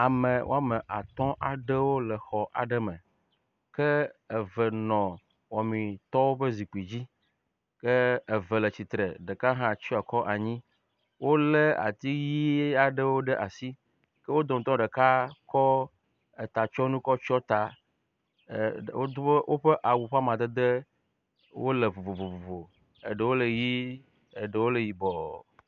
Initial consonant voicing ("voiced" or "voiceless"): voiced